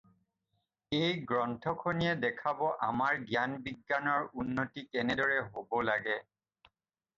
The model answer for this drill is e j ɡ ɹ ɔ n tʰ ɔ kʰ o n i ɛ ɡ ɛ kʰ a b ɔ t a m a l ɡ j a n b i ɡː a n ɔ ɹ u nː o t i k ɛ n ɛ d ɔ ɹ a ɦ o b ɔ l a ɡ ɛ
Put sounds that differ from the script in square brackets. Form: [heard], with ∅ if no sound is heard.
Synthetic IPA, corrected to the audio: e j ɡ ɹ ɔ n tʰ ɔ kʰ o n i ɛ [d] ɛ kʰ a b ɔ [ʔ] a m a [ɹ] ɡ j a n b i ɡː a n ɔ ɹ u nː o t i k ɛ n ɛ d ɔ ɹ [ɛ] ɦ o b ɔ l a ɡ ɛ